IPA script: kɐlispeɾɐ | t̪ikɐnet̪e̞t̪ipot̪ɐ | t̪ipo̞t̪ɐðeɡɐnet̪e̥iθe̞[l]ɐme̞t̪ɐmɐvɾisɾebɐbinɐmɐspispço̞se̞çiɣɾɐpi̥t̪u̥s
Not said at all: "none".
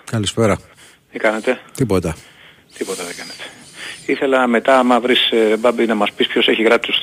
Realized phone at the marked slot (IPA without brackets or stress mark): l